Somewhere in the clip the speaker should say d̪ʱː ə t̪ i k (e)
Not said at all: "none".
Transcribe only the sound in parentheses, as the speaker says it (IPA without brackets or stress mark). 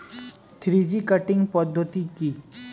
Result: i